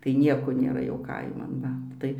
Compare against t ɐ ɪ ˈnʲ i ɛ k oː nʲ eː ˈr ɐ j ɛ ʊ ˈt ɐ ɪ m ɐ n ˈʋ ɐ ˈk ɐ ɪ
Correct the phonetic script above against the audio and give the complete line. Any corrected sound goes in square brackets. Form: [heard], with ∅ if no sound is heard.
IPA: t ɐ ɪ ˈnʲ i ɛ k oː nʲ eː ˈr ɐ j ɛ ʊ [ˈk] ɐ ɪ m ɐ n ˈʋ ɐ [ˈt] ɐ ɪ